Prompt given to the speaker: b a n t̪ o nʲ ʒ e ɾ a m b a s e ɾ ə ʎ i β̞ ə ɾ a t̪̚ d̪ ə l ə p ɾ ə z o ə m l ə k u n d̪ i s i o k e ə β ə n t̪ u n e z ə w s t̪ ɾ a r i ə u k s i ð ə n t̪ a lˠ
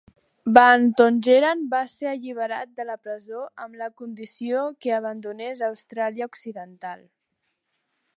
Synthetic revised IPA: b a n t̪ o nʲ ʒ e ɾ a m b a s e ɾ ə ʎ i β̞ ə ɾ a t̪̚ d̪ ə l ə p ɾ ə z o ə m l ə k u n d̪ i s i o k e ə β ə n d̪ u n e z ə w s t̪ ɾ a l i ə u k s i ð ə n t̪ a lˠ